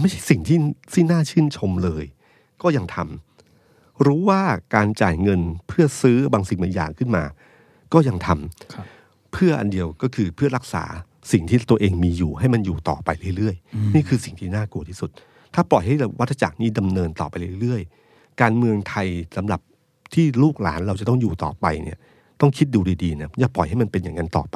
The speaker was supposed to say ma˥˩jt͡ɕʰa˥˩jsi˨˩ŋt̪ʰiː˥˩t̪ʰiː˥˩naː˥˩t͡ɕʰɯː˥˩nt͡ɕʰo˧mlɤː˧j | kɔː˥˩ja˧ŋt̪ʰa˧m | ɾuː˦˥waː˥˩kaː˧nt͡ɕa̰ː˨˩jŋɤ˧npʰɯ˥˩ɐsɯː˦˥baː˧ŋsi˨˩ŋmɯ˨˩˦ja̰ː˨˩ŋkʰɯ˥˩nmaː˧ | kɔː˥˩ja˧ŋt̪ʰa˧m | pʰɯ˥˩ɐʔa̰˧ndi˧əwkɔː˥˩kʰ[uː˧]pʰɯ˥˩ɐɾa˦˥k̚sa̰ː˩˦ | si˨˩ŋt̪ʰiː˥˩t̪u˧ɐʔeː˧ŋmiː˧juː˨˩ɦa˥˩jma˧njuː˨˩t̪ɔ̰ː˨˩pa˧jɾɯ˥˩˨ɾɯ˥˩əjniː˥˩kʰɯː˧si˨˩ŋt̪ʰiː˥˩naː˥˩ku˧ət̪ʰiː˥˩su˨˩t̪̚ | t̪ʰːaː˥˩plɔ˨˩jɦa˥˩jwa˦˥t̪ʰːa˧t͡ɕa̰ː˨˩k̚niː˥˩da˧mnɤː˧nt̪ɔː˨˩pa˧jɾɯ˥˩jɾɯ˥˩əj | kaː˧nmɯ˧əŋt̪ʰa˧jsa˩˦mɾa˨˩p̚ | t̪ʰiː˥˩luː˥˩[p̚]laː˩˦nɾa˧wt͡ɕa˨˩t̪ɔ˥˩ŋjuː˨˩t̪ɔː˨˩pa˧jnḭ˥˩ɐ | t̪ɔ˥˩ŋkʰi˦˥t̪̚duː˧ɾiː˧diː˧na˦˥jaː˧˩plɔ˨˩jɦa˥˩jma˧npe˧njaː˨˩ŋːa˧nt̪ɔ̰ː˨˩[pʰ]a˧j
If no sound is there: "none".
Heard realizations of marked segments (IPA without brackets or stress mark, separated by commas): ɯː˧, k̚, p